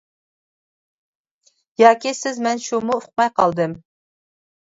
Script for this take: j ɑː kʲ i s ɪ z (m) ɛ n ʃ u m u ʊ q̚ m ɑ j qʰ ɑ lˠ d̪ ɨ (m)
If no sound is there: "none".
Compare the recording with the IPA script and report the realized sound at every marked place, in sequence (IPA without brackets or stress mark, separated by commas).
m, m